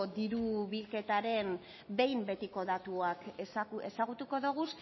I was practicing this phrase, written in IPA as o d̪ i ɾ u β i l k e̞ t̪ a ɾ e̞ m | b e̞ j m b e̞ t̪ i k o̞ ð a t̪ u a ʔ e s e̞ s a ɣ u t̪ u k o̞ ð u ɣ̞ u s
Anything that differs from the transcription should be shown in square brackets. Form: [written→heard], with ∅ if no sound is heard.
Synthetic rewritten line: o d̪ i ɾ u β i l k e̞ t̪ a ɾ e̞ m | b e̞ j m b e̞ t̪ i k o̞ ð a t̪ u a [ʔ→k] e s e̞ s a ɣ u t̪ u k o̞ ð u ɣ̞ u s